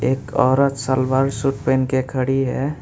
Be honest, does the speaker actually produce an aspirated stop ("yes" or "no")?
yes